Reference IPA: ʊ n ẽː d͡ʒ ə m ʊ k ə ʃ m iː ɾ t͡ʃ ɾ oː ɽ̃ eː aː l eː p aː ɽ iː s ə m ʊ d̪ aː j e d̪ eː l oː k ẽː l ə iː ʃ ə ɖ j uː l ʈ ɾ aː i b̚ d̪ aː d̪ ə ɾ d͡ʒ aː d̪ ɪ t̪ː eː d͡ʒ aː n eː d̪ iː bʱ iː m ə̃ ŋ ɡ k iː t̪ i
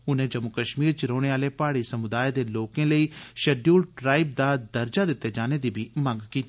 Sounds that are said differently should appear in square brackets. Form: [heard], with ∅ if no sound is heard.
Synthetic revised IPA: ʊ n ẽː d͡ʒ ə m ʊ k ə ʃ m iː ɾ t͡ʃ ɾ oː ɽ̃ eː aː l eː p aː ɽ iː s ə m ʊ d̪ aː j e d̪ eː l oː k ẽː l ə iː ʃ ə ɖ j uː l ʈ ɾ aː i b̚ d̪ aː d̪ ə ɾ d͡ʒ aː d̪ ɪ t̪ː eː d͡ʒ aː n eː d̪ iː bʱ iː m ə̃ ŋ ɡ k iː t̪ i